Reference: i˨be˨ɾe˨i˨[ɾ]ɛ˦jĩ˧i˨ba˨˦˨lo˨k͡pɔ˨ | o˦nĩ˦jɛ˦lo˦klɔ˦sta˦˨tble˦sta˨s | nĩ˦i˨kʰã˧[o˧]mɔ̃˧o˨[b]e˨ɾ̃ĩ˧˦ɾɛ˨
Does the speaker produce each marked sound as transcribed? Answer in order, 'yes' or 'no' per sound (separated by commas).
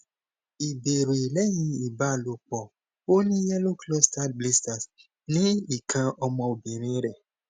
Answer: no, no, yes